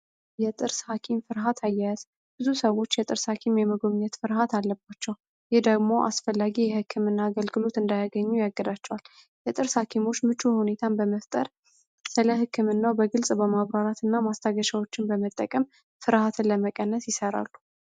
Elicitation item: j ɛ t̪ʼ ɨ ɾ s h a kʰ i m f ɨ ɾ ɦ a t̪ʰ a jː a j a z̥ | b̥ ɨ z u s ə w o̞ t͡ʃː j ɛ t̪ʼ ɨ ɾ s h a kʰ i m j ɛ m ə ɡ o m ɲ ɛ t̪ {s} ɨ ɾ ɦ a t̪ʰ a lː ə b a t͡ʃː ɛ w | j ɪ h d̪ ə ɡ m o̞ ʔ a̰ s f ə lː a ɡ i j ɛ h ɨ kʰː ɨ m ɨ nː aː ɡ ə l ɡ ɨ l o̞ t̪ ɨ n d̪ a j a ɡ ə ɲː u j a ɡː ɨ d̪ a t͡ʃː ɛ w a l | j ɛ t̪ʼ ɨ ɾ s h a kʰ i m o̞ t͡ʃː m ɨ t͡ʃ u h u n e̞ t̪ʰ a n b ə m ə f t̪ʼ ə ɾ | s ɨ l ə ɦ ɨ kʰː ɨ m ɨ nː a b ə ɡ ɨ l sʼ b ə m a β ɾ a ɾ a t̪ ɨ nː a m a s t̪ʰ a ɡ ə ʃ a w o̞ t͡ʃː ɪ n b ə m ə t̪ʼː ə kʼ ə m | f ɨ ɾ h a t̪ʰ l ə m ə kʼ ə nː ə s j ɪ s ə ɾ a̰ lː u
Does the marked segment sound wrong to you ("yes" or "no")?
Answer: yes